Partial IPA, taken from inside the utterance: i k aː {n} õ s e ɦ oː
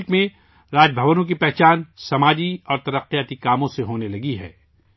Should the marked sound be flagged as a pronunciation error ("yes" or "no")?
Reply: yes